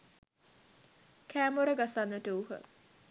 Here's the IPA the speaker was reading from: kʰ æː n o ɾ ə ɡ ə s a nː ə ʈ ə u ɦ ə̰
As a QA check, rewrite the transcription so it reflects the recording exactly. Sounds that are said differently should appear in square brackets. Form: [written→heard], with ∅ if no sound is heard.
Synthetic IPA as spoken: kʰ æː [n→m] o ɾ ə ɡ [ə→a] s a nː ə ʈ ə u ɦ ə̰